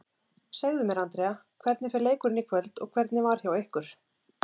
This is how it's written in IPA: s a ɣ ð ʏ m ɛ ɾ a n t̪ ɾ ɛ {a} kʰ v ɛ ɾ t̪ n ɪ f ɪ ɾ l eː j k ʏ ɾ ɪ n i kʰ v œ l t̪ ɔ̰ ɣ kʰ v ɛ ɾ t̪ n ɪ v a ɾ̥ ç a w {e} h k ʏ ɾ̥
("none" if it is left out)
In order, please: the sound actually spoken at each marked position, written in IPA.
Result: a, e

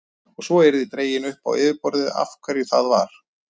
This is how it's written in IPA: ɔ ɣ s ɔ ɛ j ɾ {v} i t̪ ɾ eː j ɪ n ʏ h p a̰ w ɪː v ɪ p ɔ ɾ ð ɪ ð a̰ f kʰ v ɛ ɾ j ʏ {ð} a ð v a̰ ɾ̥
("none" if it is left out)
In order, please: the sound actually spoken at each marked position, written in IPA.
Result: ð, θ

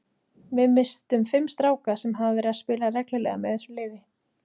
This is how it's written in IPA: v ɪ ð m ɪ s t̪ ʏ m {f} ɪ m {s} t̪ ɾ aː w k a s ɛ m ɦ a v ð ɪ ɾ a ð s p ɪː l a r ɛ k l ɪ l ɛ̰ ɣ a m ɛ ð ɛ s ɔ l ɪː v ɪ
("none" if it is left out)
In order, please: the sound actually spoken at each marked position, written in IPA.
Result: f, s

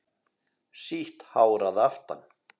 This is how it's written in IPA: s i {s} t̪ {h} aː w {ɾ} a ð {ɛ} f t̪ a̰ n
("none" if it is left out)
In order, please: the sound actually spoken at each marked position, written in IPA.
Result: h, h, ɾ, a

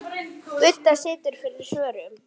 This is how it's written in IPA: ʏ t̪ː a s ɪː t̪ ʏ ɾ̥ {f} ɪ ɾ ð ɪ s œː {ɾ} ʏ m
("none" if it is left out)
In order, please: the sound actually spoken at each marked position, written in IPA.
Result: f, ɾ

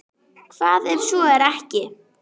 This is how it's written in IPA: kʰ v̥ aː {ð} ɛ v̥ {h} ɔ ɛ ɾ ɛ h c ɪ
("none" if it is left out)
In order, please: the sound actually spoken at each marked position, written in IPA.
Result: ð, s

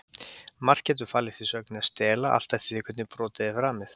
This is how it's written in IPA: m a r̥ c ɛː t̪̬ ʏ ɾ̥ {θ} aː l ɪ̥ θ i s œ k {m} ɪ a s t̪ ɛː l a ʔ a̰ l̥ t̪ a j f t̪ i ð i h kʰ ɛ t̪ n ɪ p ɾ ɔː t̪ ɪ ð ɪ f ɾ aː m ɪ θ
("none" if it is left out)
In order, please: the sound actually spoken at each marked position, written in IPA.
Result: f, n

